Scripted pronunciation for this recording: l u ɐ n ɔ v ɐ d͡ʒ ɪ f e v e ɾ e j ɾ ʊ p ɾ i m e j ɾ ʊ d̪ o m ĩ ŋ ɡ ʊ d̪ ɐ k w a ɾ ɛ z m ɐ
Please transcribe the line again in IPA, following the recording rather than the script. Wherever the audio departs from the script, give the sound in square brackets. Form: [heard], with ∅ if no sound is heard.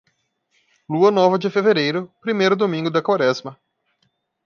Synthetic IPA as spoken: l u ɐ n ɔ v ɐ d͡ʒ ɪ f e v e ɾ e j ɾ ʊ p ɾ i m e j ɾ ʊ d̪ o m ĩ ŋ ɡ ʊ d̪ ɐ k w a ɾ ɛ z m ɐ